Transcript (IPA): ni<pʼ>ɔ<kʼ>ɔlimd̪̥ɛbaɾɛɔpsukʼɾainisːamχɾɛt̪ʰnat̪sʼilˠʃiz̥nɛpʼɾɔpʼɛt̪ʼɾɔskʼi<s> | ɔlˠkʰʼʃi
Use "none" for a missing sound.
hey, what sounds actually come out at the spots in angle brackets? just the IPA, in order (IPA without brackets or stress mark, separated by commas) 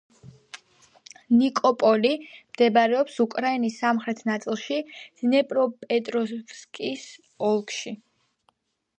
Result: kʼ, pʼ, s